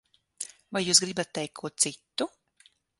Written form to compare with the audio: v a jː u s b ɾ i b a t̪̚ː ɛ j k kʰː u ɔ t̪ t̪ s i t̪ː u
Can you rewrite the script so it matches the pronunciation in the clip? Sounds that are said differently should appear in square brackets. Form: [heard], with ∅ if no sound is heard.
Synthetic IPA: v a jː [uː] s [ɡ] ɾ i b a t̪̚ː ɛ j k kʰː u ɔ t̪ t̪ s i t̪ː u